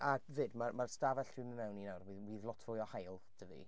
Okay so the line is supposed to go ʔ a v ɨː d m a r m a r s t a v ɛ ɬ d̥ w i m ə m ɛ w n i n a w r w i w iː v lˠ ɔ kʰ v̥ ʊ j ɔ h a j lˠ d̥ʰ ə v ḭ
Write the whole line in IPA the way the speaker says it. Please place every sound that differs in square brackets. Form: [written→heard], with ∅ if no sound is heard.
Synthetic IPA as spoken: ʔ a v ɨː d m a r m a r s t a v ɛ ɬ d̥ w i m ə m ɛ w n i n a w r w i w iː [v→ð] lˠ ɔ [kʰ→tʰ] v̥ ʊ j ɔ h a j lˠ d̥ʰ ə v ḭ